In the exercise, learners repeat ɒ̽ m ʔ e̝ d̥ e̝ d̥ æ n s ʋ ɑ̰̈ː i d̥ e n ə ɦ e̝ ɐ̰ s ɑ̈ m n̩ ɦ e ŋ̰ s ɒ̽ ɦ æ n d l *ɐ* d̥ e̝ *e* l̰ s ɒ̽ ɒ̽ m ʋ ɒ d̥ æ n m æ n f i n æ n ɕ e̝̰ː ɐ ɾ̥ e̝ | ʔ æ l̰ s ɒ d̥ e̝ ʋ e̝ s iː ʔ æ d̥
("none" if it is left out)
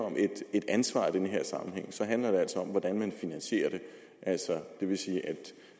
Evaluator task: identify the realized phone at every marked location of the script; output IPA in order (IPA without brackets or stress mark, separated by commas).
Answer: ɐ, æ